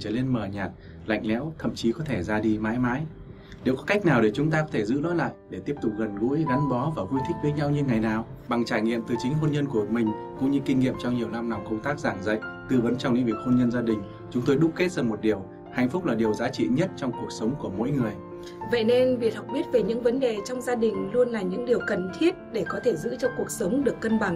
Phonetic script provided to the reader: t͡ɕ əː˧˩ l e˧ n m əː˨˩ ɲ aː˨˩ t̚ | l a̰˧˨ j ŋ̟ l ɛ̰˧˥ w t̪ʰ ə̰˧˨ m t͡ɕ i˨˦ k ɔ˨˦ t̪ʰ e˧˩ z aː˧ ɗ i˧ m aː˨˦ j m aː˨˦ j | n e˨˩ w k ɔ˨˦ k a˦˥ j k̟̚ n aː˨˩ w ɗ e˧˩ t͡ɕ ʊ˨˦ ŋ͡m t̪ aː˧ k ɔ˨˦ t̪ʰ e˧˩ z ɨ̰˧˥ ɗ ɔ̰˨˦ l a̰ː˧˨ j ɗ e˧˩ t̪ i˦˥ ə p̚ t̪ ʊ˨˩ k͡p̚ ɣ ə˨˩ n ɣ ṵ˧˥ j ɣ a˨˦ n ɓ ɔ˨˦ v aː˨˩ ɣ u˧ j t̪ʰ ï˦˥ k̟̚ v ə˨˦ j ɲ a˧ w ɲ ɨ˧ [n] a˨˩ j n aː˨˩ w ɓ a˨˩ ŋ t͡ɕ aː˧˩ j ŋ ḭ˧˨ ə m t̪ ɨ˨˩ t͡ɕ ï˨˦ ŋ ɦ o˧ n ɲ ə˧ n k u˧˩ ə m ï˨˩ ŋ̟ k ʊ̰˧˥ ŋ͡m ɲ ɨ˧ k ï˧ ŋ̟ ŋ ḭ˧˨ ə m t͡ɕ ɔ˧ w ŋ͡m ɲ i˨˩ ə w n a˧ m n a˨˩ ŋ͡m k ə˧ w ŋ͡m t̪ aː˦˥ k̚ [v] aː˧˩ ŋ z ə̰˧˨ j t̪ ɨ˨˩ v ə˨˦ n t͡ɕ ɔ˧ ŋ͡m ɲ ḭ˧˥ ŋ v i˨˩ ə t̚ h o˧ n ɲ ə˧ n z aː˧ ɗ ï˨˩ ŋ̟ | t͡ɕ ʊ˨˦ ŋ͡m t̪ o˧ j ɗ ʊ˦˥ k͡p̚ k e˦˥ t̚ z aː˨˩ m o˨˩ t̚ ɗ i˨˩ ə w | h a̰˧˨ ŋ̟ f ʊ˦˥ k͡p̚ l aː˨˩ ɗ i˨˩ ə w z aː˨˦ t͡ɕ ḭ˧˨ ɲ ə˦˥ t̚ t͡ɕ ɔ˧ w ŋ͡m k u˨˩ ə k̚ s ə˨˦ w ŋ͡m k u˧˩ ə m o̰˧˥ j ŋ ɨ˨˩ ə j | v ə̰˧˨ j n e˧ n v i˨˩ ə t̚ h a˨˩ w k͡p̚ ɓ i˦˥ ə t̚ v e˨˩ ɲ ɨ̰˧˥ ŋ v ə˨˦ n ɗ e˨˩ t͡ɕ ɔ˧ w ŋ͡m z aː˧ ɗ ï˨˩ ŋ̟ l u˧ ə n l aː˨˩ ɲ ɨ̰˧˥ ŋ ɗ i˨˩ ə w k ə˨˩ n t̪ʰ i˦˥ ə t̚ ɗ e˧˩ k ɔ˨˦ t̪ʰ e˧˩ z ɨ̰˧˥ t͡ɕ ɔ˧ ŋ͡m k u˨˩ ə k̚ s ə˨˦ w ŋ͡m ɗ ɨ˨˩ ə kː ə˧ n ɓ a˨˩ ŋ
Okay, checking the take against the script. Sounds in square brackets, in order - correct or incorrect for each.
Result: incorrect, incorrect

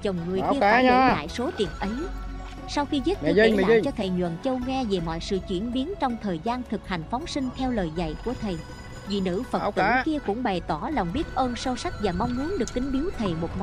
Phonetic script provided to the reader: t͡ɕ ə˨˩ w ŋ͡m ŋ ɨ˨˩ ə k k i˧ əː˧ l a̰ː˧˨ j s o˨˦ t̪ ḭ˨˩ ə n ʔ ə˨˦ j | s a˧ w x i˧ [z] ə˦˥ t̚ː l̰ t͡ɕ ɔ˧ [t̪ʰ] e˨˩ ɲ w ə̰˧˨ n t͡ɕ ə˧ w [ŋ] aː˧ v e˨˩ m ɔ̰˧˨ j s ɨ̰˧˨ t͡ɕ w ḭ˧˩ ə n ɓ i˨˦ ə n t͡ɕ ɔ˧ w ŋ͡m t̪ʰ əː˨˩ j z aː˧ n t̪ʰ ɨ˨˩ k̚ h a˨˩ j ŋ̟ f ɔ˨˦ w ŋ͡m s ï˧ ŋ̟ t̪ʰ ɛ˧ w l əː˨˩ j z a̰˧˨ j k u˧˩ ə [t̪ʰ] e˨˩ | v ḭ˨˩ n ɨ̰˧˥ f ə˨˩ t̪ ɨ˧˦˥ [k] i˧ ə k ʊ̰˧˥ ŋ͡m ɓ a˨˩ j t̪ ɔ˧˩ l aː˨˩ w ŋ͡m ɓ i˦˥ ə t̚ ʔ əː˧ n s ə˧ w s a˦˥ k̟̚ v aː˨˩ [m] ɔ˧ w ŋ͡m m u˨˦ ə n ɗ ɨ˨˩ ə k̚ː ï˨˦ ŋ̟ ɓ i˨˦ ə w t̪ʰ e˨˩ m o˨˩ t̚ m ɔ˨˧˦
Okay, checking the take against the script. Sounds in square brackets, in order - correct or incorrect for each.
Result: correct, correct, correct, correct, correct, correct

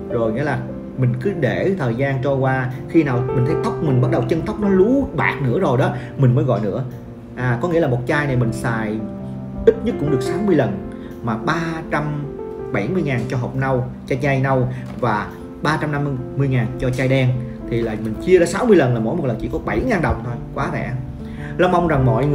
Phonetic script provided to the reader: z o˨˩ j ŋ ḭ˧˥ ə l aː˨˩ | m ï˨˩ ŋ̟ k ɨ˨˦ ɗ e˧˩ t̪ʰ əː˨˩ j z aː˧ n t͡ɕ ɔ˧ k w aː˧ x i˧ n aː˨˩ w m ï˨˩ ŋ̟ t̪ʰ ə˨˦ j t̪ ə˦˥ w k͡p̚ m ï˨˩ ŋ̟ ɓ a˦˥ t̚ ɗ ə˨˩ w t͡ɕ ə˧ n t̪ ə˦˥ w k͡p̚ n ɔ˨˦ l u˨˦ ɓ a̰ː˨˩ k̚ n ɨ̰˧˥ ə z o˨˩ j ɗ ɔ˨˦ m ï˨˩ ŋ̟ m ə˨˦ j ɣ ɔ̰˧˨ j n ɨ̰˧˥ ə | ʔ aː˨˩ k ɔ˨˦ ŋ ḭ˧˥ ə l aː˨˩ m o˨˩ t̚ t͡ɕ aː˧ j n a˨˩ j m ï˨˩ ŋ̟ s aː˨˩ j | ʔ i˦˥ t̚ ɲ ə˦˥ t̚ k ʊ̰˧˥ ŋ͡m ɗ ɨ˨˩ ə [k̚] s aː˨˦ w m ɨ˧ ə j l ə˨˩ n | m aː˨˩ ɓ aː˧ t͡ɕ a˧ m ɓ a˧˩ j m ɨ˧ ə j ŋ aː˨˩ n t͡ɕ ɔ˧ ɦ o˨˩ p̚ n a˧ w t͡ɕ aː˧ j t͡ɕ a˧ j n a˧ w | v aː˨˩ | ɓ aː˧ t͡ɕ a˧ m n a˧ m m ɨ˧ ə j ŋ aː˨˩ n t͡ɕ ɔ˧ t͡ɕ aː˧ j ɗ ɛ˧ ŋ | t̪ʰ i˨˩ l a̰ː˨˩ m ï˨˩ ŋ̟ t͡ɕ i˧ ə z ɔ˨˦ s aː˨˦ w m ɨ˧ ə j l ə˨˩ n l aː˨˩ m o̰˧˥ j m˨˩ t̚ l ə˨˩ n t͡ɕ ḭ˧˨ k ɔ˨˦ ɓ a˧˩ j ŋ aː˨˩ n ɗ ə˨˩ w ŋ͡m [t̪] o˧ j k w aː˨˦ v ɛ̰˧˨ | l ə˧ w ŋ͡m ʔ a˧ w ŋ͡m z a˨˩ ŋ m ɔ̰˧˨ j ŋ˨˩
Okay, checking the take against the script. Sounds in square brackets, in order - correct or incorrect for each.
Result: correct, incorrect

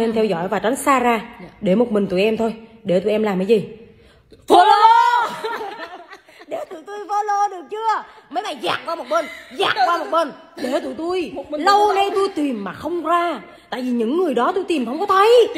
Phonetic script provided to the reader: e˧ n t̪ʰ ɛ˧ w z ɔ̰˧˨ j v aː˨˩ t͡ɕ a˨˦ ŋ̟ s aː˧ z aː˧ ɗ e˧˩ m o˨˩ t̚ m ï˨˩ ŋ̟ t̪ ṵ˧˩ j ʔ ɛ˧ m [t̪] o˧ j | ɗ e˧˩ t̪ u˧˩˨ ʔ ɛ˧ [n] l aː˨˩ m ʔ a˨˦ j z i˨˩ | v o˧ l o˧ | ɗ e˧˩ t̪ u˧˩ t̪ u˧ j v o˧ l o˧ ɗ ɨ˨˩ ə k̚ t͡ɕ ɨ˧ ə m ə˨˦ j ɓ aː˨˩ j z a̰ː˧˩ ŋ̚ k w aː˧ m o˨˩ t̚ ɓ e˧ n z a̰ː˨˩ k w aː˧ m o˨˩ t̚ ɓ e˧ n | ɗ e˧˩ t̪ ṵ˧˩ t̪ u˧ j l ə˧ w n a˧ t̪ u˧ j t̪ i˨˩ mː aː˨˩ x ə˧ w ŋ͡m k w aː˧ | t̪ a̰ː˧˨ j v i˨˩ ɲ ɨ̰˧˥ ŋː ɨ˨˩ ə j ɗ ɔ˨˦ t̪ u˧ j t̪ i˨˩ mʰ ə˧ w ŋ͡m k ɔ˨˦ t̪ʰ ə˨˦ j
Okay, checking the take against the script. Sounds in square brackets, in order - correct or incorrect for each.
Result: incorrect, incorrect

